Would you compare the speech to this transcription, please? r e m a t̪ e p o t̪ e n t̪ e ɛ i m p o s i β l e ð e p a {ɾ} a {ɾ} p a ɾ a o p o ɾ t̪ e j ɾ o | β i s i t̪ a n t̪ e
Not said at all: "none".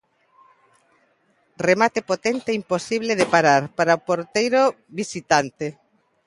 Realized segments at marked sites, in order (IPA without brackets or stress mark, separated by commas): ɾ, ɾ